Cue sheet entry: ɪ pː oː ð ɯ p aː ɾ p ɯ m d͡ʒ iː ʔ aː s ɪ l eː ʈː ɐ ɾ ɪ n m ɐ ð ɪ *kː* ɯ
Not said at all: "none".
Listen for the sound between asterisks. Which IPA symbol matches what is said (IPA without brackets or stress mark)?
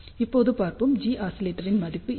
pː